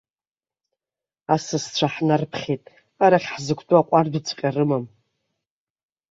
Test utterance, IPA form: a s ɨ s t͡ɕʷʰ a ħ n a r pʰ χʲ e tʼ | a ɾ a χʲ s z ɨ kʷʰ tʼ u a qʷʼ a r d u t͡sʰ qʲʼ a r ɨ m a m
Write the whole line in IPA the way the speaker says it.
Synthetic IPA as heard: a s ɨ s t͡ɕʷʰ a ħ n a r pʰ χʲ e tʼ | a ɾ a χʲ ħ z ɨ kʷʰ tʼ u a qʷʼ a r d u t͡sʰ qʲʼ a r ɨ m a m